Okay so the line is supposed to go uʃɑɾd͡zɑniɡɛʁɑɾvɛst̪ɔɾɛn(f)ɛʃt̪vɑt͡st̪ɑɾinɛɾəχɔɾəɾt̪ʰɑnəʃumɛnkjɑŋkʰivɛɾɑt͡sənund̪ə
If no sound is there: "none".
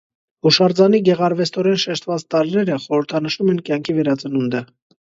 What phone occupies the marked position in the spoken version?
ʃ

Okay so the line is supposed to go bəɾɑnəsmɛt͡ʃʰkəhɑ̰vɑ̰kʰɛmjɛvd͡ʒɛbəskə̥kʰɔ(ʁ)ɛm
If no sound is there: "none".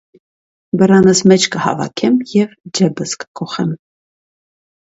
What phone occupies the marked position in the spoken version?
χ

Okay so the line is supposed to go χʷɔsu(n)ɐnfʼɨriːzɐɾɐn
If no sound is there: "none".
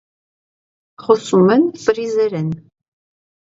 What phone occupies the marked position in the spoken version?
m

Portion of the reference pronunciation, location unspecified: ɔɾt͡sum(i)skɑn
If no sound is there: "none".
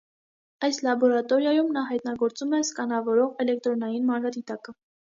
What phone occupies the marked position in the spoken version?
ɛ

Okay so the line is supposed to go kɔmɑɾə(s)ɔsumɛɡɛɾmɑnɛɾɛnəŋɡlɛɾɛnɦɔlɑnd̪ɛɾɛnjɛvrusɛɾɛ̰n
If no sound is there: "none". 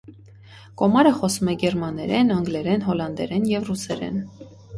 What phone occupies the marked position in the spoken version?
χ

